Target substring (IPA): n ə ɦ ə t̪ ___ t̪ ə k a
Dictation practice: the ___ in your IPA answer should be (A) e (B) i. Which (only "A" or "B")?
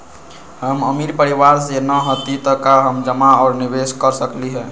B